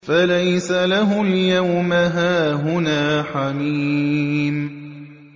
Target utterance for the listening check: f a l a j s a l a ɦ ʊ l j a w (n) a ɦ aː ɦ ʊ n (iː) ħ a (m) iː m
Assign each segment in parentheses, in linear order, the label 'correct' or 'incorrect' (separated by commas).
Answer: incorrect, incorrect, correct